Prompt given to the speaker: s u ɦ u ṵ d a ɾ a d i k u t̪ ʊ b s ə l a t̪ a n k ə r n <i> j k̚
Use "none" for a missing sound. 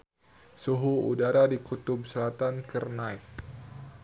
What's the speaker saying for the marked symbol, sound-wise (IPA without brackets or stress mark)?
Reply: a